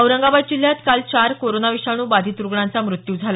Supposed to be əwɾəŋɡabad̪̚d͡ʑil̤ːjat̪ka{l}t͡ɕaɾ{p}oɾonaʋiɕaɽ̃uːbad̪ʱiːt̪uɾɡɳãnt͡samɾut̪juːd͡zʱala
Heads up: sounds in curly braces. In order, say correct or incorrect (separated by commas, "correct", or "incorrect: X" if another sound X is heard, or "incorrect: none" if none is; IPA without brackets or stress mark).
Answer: correct, incorrect: k